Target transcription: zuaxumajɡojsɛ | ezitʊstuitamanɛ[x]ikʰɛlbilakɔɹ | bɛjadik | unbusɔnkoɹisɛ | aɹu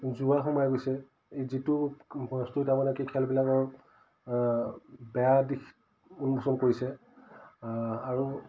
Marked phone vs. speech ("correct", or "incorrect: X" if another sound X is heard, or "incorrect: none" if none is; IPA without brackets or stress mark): incorrect: k